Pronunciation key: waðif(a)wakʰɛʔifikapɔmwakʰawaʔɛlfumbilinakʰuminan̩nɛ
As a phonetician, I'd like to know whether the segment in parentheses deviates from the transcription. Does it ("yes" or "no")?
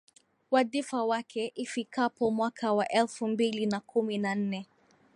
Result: no